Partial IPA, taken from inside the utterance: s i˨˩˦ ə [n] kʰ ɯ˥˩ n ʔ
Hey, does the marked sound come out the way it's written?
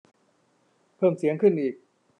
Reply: no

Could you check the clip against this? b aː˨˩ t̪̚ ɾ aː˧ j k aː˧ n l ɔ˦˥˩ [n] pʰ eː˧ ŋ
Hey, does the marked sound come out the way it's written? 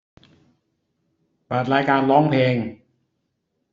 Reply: no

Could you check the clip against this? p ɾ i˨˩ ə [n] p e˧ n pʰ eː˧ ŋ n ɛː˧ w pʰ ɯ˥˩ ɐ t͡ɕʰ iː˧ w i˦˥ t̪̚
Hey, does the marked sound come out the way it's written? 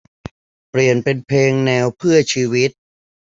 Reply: yes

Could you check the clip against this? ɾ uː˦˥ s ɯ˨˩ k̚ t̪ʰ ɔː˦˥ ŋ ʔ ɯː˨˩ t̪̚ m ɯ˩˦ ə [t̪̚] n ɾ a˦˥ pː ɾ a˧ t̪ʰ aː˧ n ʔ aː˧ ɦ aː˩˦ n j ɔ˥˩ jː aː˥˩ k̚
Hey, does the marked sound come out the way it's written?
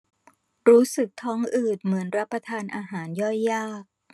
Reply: no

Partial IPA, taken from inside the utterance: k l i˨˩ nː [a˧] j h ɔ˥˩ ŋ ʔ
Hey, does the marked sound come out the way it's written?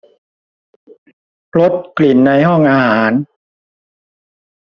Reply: yes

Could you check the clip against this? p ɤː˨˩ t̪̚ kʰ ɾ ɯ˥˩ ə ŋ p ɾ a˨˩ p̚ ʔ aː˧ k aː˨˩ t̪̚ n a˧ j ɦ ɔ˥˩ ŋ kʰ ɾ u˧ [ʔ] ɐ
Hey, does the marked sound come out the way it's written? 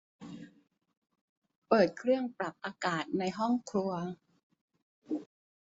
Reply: no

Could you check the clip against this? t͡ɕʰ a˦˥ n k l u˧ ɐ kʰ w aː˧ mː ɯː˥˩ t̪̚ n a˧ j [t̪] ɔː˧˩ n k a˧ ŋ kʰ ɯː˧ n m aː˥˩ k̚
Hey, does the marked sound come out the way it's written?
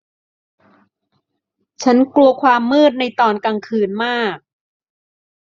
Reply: yes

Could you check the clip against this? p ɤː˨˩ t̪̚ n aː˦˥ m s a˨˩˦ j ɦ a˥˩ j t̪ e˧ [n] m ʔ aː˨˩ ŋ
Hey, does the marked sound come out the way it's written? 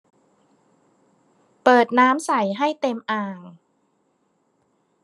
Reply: no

